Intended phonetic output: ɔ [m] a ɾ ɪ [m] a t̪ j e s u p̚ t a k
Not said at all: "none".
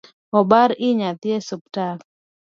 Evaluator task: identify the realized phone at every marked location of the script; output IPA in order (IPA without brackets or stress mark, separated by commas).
b, ɲ